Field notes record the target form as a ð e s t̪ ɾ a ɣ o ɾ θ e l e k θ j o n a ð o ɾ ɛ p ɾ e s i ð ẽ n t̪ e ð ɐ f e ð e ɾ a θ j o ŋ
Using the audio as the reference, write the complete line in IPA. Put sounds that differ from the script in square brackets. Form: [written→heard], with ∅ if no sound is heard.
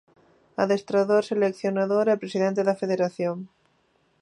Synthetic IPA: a ð e s t̪ ɾ a [ɣ→ð] o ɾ [θ→s] e l e k θ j o n a ð o ɾ ɛ p ɾ e s i ð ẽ n t̪ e ð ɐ f e ð e ɾ a θ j o ŋ